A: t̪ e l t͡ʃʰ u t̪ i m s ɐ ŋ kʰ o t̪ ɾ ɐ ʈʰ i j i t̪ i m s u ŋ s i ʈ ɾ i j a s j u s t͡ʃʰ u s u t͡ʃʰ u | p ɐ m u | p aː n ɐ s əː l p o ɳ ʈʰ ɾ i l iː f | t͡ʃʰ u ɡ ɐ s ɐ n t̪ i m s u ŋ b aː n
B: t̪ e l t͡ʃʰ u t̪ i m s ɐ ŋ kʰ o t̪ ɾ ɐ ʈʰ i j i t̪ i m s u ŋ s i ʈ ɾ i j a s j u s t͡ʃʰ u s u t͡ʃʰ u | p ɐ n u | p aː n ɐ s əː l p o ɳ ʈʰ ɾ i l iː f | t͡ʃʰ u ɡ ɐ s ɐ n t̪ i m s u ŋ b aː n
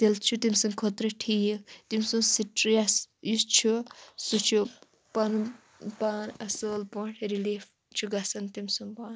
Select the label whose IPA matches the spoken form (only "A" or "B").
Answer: B